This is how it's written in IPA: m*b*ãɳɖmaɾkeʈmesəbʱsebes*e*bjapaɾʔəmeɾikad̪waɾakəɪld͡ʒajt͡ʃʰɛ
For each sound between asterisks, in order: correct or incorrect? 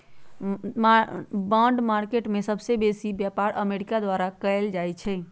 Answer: correct, incorrect

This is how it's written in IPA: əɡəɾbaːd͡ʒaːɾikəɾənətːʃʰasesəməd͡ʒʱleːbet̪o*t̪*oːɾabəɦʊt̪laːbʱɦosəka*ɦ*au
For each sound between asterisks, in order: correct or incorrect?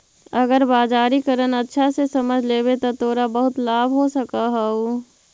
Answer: correct, correct

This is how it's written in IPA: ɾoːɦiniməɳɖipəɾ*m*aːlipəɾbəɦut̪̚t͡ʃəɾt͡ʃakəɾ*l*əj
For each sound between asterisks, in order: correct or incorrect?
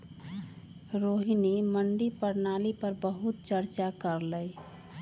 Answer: incorrect, correct

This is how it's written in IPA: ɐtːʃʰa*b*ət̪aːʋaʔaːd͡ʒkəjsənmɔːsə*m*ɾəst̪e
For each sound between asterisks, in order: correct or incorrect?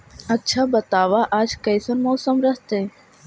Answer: correct, correct

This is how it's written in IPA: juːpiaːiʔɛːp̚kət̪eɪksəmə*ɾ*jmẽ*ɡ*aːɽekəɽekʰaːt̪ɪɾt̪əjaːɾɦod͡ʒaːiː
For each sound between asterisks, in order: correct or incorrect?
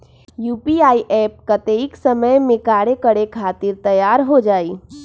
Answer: incorrect, incorrect

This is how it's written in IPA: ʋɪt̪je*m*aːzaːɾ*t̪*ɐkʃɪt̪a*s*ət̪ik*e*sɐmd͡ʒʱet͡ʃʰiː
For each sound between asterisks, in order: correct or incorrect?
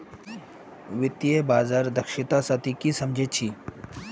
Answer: incorrect, incorrect, correct, incorrect

